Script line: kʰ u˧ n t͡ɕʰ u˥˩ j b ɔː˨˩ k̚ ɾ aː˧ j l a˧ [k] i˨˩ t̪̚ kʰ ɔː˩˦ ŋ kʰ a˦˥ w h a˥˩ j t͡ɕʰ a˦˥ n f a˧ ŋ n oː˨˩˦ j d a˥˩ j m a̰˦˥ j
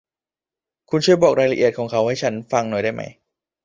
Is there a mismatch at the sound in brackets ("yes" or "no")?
yes